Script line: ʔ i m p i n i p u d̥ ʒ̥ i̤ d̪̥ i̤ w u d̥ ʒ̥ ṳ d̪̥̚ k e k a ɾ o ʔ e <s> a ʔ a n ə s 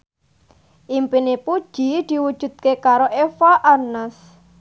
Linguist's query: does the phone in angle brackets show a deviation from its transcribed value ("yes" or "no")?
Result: yes